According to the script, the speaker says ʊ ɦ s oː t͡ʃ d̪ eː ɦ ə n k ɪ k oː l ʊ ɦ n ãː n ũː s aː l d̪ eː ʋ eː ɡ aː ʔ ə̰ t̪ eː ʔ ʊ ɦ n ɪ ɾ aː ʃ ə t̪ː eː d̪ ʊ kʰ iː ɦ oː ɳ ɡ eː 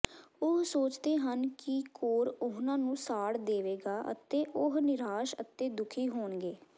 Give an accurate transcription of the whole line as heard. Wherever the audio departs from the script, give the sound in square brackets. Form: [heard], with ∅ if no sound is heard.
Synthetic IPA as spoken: ʊ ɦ s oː t͡ʃ d̪ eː ɦ ə n k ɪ k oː [ɾ] ʊ ɦ n ãː n ũː s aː [ɽ] d̪ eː ʋ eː ɡ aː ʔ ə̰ t̪ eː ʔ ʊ ɦ n ɪ ɾ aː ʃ ə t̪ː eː d̪ ʊ kʰ iː ɦ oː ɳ ɡ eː